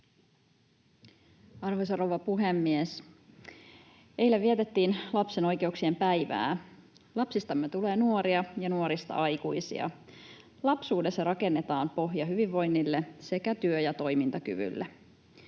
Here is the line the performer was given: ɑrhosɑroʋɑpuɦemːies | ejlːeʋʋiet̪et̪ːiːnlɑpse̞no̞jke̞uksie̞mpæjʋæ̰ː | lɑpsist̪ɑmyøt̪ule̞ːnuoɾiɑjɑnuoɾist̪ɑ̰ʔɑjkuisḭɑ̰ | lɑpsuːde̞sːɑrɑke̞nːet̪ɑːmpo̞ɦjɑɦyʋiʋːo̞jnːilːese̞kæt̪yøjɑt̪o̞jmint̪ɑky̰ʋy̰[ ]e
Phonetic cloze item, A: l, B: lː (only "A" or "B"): B